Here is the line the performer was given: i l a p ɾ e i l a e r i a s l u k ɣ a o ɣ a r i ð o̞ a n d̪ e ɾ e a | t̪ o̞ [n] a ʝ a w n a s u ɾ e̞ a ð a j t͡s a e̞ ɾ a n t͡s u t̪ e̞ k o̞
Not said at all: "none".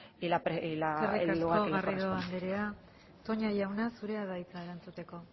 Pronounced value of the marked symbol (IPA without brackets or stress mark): ɲ